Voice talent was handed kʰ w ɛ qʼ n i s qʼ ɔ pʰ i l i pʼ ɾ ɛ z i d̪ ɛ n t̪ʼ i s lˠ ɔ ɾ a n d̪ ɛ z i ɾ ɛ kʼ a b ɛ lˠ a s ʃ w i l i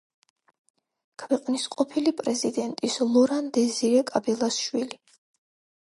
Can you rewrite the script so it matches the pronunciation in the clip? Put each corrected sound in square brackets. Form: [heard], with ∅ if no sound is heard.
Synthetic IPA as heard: kʰ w ɛ qʼ n i s qʼ ɔ pʰ i l i pʼ ɾ ɛ z i d̪ ɛ n t̪ʼ i s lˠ ɔ ɾ a n d̪ ɛ z i ɾ ɛ kʼ a b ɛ lˠ a s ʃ w i l i